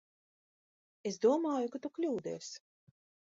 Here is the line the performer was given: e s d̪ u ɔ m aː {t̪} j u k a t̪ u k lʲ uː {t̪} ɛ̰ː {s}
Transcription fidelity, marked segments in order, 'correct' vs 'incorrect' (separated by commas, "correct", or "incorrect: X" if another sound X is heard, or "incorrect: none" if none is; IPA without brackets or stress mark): incorrect: none, incorrect: d̪, correct